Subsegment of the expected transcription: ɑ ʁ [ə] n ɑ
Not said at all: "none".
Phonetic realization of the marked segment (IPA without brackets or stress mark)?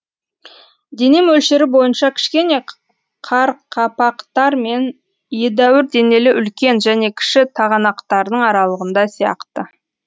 ɑ